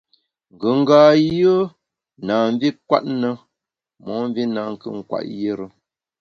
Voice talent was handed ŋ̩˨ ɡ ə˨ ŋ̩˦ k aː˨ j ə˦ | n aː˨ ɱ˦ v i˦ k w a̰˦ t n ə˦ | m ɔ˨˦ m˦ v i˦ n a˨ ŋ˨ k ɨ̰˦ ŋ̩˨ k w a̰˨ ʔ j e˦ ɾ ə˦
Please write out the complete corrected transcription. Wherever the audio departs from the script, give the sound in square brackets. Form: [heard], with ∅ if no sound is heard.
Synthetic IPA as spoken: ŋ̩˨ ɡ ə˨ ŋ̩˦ [ɡ] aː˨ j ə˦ | n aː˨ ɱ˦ v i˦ k w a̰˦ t n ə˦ | m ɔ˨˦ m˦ v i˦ n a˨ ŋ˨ k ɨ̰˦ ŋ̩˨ k w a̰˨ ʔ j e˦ ɾ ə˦